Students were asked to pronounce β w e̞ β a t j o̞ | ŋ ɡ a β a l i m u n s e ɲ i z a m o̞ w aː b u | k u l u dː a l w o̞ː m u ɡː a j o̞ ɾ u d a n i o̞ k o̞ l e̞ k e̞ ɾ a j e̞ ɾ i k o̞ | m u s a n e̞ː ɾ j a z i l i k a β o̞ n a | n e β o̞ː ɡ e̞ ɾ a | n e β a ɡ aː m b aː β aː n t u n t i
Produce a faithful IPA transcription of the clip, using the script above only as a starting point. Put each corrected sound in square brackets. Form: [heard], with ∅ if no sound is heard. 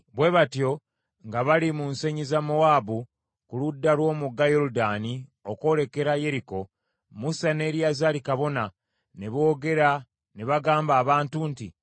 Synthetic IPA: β w e̞ β a t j o̞ | ŋ ɡ a β a l i m u n s e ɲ i z a m o̞ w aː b u | k u l u dː a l w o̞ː m u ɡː a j o̞ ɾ u d a n i o̞ k o̞ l e̞ k e̞ ɾ a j e̞ ɾ i k o̞ | m u s a n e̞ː ɾ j a z [a] l i k a β o̞ n a | n e β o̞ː ɡ e̞ ɾ a | n e β a ɡ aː m b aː β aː n t u n t i

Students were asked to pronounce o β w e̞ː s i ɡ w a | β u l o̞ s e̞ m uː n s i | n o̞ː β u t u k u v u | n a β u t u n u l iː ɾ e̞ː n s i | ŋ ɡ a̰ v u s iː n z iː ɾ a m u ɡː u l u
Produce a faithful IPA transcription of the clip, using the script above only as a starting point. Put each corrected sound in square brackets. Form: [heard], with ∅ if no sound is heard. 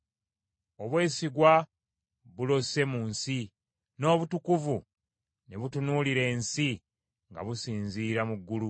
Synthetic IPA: o β w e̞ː s i ɡ w a | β u l o̞ s e̞ m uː n s i | n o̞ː β u t u k u v u | n [e] β u t u n u l [i] ɾ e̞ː n s i | ŋ ɡ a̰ [β] u s iː n z iː ɾ a m u ɡː u l u

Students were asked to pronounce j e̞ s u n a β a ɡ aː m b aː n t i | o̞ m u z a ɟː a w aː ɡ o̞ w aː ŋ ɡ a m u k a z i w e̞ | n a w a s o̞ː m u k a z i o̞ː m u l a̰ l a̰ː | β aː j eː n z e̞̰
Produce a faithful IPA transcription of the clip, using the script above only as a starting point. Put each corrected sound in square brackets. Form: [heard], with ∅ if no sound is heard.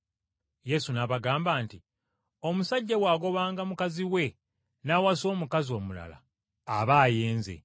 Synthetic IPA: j e̞ s u n a β a ɡ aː m b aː n t i | o̞ m u [s] a ɟː a w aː ɡ o̞ [β] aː ŋ ɡ a m u k a z i w e̞ | n a w a s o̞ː m u k a z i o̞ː m u l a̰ l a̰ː | β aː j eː n z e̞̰

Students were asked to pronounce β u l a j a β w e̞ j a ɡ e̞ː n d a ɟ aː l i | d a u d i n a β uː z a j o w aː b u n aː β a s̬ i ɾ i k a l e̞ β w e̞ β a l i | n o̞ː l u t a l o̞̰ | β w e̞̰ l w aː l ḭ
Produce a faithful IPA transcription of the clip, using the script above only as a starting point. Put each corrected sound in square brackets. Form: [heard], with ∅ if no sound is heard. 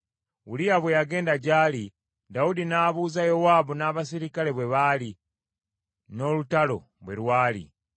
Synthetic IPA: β u l [i] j a β w e̞ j a ɡ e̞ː n d a ɟ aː l i | d a u d i n a β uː z a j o w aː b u n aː β a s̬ i ɾ i k a l e̞ β w e̞ β a l i | n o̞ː l u t a l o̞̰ | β w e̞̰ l w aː l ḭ

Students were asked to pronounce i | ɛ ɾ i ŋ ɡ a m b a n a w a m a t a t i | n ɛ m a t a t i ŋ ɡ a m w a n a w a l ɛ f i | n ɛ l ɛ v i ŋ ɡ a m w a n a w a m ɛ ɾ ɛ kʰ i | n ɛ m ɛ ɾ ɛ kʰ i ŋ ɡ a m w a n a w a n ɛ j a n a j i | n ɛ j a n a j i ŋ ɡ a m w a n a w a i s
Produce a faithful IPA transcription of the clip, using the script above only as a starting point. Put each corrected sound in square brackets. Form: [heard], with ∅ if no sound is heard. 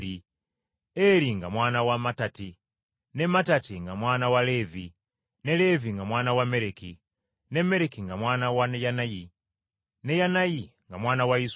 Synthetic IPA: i | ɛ ɾ i ŋ ɡ a m [w] a n a w a m a t a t i | n ɛ m a t a t i ŋ ɡ a m w a n a w a l ɛ [v] i | n ɛ l ɛ v i ŋ ɡ a m w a n a w a m ɛ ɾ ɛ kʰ i | n ɛ m ɛ ɾ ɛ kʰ i ŋ ɡ a m w a n a w a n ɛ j a n a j i | n ɛ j a n a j i ŋ ɡ a m w a n a w a i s

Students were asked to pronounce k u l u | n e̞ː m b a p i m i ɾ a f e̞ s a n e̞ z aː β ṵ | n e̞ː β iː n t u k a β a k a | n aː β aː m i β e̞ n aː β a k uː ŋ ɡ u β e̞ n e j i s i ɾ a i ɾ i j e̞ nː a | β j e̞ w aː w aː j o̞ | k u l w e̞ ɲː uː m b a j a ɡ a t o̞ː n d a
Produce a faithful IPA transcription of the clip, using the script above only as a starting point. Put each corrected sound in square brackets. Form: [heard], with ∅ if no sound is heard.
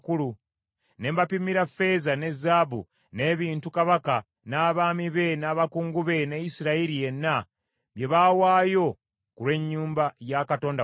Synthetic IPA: k u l u | n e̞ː m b a p i m i ɾ a f e̞ [z] a n e̞ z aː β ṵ | n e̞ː β iː n t u k a β a k a | n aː β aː m i β e̞ n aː β a k uː ŋ ɡ u β e̞ n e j i s i ɾ a i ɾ i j e̞ nː a | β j e̞ [β] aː w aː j o̞ | k u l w e̞ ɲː uː m b a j a [k] a t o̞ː n d a

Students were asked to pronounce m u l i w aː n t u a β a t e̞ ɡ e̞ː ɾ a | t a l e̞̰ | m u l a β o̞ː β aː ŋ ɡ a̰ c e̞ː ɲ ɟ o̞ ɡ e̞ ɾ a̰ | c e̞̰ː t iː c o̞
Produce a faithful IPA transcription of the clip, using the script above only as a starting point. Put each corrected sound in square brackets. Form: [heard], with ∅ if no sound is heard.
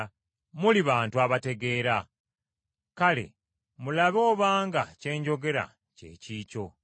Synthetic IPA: m u l i [β] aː n t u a β a t e̞ ɡ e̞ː ɾ a | [k] a l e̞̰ | m u l a β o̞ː β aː ŋ ɡ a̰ c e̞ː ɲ ɟ o̞ ɡ e̞ ɾ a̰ | c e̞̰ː [c] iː c o̞

